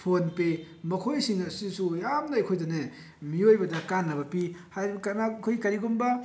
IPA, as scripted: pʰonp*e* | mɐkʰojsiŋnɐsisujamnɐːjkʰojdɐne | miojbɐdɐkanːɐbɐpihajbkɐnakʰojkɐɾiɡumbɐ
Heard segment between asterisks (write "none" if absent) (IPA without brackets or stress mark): e